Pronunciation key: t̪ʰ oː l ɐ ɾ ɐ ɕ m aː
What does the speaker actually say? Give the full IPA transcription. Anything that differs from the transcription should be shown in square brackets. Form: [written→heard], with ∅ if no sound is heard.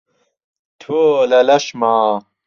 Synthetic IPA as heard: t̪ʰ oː l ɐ [ɾ→l] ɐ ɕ m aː